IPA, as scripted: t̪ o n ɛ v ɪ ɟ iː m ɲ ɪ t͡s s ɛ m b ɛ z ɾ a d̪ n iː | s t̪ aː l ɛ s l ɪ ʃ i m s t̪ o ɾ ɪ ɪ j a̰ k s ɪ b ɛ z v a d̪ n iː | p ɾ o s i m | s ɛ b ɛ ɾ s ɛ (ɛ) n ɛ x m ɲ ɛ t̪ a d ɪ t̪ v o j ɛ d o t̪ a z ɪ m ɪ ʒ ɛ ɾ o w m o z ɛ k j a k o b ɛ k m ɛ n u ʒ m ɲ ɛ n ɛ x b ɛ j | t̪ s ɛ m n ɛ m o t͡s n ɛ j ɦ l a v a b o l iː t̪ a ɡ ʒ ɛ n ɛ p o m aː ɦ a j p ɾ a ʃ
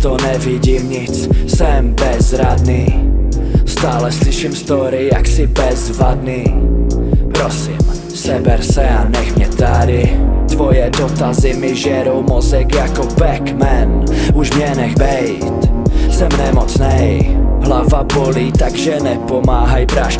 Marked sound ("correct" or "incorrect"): incorrect